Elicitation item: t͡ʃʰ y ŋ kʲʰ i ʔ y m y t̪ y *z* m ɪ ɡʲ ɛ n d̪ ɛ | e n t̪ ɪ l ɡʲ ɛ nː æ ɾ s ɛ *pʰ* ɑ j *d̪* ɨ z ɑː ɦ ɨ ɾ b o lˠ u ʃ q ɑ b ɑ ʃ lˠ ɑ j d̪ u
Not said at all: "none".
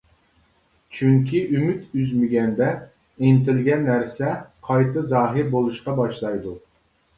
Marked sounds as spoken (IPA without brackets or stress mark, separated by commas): z, qʰ, t̪